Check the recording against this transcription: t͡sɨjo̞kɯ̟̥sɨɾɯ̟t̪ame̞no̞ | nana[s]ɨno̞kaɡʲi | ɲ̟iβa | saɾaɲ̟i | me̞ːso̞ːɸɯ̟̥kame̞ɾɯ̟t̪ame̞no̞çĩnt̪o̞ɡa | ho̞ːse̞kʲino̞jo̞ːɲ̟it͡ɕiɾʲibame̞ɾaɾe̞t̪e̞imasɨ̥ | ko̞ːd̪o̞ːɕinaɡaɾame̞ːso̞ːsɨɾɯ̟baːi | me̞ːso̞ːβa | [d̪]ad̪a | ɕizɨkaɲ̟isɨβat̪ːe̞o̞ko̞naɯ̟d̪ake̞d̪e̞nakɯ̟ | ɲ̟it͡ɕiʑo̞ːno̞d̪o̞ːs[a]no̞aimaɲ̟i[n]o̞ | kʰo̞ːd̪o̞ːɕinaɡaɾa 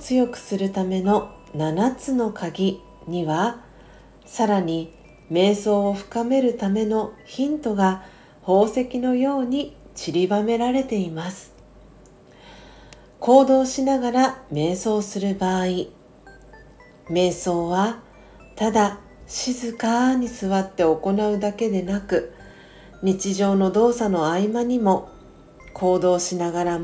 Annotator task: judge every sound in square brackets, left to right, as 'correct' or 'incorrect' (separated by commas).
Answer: incorrect, incorrect, correct, incorrect